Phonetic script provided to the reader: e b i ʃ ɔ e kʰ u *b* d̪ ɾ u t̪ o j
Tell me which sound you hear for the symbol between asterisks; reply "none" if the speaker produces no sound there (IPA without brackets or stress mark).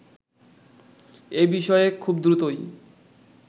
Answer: b